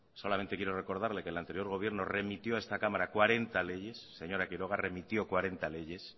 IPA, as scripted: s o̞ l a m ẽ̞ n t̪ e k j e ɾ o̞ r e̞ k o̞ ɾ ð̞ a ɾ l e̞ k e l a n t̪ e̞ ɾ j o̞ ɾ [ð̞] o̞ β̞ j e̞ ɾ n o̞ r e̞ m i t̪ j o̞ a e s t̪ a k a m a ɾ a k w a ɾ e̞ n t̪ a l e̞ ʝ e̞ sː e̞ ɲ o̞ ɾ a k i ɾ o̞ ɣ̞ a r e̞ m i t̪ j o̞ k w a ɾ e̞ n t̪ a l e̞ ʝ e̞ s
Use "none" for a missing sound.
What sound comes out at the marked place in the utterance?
ɣ̞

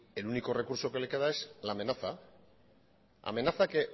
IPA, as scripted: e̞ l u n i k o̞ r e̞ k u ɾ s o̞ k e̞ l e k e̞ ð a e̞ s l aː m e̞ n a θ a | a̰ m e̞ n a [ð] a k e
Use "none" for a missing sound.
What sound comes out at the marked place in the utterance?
θ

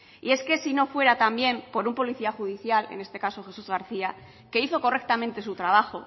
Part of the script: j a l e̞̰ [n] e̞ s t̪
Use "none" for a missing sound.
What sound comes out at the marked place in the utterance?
n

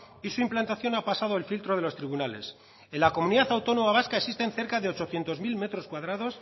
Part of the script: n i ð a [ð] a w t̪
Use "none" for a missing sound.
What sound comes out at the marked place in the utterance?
θ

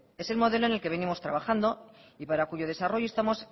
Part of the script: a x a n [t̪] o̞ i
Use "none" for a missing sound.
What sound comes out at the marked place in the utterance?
d̪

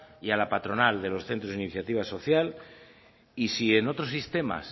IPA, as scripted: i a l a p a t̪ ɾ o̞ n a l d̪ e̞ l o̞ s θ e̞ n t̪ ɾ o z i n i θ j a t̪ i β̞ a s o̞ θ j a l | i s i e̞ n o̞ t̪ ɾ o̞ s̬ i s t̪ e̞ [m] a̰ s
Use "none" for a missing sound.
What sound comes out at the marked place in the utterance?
m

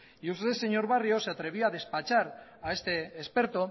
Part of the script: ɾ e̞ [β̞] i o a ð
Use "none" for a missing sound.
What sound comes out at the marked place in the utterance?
β̞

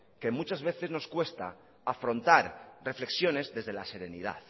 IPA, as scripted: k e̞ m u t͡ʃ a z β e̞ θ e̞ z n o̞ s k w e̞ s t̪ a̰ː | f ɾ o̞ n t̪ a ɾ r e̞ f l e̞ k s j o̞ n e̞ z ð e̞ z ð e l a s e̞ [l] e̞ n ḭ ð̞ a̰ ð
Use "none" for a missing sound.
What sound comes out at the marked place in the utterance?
ɾ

